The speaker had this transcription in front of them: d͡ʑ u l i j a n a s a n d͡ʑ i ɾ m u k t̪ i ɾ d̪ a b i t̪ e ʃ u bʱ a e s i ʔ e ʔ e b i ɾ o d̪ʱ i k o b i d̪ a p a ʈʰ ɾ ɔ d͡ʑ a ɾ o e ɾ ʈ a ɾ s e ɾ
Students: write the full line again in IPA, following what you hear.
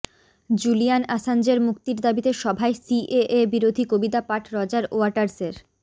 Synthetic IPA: d͡ʑ u l i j a n a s a n d͡ʑ e ɾ m u k t̪ i ɾ d̪ a b i t̪ e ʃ ɔ bʱ a e s i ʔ e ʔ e b i ɾ o d̪ʱ i k o b i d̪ a p a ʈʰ ɾ ɔ d͡ʑ a ɾ o a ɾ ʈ a ɾ s e ɾ